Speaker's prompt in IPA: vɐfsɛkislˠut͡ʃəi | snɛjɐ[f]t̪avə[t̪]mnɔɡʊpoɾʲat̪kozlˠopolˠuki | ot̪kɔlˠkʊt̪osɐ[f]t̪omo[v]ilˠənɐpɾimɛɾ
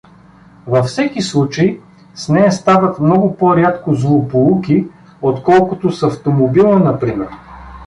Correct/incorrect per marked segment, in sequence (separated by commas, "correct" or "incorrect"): incorrect, correct, correct, incorrect